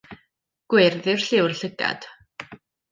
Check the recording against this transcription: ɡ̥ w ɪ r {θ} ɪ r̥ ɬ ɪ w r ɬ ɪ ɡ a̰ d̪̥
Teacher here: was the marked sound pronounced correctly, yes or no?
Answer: no